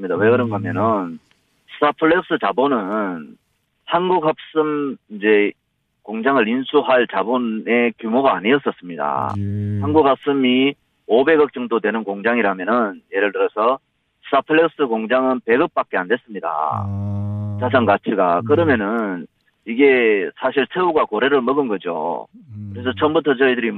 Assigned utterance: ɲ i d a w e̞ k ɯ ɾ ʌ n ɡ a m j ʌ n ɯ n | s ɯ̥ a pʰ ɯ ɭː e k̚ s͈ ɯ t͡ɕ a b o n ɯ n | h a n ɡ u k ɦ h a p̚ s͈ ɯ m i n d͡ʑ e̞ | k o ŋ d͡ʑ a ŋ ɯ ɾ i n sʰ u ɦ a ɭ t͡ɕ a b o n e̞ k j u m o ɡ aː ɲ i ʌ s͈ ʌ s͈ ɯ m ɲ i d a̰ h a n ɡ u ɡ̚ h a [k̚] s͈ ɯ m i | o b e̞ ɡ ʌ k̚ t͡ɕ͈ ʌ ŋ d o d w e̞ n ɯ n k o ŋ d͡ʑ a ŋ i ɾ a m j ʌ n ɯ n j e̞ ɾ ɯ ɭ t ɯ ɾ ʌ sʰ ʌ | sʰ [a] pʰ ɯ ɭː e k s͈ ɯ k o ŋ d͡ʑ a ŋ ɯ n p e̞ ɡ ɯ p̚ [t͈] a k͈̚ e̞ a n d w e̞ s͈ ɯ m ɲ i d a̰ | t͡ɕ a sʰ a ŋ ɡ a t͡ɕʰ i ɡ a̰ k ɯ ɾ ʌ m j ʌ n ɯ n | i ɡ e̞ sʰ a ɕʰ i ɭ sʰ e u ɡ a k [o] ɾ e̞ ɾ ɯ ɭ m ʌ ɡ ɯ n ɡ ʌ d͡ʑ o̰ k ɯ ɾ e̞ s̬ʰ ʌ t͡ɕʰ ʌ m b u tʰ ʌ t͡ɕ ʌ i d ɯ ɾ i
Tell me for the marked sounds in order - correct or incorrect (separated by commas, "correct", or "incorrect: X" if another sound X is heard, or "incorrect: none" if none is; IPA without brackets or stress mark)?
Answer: incorrect: p̚, correct, incorrect: p͈, correct